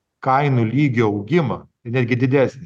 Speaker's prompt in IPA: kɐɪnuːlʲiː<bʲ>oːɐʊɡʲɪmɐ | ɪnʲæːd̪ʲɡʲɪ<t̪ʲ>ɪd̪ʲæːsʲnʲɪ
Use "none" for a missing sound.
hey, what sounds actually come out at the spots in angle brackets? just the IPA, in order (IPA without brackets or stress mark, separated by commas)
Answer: ɡʲ, d̪ʲ